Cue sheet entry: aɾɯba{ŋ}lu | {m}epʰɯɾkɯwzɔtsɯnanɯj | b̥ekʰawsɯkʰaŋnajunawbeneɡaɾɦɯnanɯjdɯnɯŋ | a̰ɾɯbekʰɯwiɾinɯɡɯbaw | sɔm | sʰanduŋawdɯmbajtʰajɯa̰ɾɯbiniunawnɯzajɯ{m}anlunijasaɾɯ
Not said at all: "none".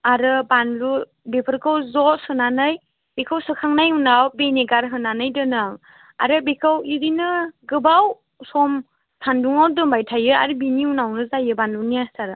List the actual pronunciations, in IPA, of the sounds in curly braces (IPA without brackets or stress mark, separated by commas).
n, b, b